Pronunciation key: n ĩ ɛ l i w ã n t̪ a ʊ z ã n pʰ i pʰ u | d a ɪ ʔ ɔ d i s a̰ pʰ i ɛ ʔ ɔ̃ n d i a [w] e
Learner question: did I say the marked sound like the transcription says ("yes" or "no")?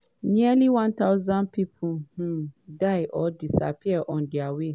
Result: yes